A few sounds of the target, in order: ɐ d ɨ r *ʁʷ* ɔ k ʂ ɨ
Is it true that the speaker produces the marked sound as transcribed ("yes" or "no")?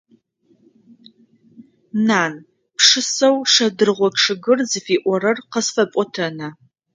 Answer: yes